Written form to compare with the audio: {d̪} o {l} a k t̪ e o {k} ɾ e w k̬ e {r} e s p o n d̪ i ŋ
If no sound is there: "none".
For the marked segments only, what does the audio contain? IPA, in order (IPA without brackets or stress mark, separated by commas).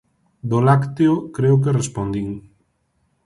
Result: d̪, l, k, r